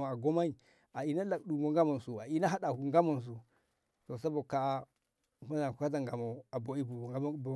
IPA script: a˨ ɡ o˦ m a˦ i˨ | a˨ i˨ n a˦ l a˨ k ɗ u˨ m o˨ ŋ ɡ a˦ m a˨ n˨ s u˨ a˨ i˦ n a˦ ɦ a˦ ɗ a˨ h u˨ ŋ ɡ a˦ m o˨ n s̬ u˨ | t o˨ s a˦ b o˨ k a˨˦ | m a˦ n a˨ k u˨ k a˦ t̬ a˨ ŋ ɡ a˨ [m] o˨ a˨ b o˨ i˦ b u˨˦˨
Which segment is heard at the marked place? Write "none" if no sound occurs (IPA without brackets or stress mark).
m